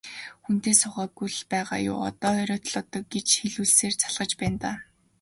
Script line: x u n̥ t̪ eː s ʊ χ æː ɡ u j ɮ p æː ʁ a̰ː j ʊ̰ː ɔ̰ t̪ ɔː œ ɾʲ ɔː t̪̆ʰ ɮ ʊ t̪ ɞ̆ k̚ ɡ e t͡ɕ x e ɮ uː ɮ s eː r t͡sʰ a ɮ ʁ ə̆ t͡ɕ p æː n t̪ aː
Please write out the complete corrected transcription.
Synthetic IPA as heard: x u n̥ t̪ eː s ʊ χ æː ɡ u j ɮ p æː ʁ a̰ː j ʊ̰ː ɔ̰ t̪ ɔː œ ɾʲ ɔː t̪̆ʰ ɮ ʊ t̪ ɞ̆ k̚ ɡ e t͡ɕ x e ɮ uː ɮ s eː r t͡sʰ a ɮ ʁ ə̆ t͡ɕ p æː n t̪ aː